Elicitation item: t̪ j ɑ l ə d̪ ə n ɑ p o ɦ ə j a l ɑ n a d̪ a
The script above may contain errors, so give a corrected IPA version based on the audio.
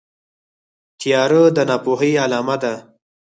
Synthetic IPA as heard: t̪ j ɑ ɾ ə d̪ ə n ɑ p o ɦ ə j a l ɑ m a d̪ a